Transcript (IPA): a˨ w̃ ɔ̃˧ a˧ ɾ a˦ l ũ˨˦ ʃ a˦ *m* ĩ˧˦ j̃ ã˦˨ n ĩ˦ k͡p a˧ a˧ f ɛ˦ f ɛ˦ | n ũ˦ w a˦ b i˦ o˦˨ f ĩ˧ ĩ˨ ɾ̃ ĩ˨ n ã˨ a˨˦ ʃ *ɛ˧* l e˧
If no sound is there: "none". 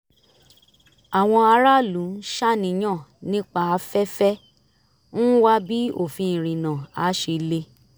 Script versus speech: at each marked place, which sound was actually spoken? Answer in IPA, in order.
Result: n, e˧

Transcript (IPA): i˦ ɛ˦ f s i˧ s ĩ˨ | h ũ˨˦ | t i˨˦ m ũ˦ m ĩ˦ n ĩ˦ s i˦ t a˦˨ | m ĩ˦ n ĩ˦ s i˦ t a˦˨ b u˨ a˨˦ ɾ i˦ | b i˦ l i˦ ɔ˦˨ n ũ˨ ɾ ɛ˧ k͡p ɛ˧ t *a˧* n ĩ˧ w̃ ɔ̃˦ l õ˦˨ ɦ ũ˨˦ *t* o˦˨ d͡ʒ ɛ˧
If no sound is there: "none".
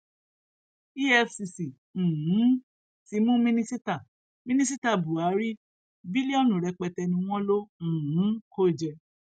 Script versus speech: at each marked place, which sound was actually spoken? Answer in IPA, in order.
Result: ɛ˧, k

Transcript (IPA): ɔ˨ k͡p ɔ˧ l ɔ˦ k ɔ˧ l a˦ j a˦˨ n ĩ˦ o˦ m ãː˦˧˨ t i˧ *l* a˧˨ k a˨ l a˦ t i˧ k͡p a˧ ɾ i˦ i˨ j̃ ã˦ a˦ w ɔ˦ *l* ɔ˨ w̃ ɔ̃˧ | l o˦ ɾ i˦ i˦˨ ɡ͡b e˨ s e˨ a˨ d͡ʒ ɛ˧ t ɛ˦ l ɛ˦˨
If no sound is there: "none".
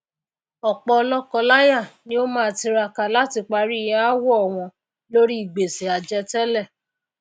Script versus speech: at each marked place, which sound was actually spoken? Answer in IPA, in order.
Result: ɾ, none

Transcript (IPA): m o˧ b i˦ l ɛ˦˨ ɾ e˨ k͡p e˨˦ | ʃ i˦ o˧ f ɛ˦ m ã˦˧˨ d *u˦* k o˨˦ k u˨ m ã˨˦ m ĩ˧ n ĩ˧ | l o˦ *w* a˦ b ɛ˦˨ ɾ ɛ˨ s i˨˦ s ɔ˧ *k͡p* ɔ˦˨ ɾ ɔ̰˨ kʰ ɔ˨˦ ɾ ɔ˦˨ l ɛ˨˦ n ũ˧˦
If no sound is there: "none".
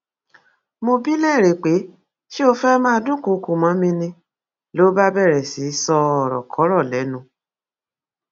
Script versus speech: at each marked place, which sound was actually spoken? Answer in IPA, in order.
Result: ũ˦, b, none

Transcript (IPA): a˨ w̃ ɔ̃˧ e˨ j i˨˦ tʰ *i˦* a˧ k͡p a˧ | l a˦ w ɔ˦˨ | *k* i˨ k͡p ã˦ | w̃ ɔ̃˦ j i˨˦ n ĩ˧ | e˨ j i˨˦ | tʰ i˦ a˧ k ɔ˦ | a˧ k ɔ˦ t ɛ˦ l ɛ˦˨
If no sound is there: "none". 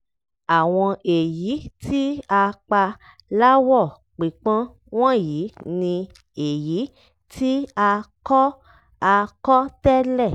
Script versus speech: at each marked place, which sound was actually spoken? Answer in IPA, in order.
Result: i˦, k͡p

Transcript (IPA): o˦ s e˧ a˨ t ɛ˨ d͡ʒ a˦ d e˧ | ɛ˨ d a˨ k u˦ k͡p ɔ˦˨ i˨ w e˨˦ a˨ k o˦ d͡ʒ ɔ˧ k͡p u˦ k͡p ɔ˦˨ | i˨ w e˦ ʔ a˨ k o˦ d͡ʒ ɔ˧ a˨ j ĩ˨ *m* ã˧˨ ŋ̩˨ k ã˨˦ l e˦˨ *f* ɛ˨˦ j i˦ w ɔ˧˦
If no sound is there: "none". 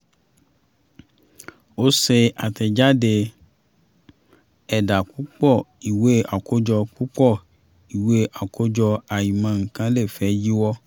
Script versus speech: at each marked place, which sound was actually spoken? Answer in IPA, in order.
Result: m, f

